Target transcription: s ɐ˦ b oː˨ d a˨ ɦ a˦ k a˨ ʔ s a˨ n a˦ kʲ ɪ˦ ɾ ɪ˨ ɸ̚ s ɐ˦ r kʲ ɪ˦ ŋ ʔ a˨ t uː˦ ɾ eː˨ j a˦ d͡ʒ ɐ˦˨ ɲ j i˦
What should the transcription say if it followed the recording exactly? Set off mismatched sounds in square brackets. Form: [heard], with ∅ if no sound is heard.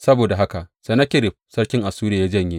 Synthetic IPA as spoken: s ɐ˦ b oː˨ d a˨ ɦ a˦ k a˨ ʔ s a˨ n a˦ kʲ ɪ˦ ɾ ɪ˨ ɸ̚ s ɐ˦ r kʲ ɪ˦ ŋ ʔ a˨ [s] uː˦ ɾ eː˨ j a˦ d͡ʒ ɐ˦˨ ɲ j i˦